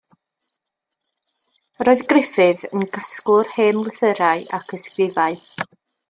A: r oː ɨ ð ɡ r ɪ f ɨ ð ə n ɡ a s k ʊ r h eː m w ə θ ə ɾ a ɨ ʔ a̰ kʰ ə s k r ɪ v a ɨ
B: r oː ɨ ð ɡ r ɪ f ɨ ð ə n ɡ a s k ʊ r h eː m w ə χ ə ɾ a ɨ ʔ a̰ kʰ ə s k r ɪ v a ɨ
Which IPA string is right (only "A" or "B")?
A